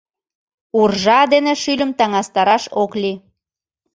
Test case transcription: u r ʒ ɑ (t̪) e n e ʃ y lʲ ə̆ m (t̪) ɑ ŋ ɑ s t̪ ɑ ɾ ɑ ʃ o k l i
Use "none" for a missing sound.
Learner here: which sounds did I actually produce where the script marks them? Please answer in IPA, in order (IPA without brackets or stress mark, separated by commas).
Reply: d̪, t̪